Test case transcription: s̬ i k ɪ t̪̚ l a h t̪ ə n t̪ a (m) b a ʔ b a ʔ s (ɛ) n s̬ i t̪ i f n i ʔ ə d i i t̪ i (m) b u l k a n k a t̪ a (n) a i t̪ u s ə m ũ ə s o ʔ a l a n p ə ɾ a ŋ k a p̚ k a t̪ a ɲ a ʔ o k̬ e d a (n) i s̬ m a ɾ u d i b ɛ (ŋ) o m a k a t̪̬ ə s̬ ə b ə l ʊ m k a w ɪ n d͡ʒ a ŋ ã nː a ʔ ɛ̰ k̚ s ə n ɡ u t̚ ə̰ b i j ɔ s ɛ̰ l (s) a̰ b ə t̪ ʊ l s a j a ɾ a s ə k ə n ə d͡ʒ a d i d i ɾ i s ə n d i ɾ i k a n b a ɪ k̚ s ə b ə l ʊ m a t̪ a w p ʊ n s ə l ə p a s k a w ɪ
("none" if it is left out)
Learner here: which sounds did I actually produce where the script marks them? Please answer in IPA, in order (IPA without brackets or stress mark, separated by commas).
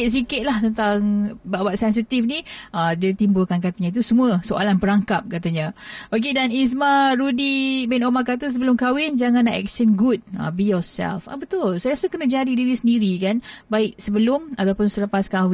ŋ, ɛ, m, ɲ, n, n, f